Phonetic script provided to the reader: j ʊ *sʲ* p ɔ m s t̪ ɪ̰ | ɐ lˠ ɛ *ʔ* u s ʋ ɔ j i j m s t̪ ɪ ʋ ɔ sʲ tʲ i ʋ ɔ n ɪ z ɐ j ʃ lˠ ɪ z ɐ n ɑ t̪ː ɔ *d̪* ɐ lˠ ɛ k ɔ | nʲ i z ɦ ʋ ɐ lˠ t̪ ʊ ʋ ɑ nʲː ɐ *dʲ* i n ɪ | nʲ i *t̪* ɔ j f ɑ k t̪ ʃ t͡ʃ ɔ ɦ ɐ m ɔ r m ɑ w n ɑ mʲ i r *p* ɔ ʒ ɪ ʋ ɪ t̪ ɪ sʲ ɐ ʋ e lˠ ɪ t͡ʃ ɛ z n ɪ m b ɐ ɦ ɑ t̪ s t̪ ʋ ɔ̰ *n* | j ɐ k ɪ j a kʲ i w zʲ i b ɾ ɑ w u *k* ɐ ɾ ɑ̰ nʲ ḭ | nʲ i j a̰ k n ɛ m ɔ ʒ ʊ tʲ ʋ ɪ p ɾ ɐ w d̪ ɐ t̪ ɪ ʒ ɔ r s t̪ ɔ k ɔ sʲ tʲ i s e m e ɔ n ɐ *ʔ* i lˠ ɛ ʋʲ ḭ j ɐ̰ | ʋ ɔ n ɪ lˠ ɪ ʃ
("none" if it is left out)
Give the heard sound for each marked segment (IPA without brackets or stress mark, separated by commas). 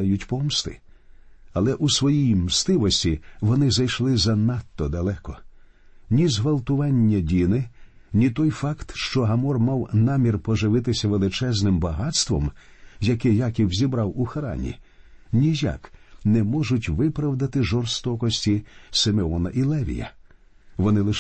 tʲ, ʔ, d̪, dʲ, t̪, p, m, x, ʔ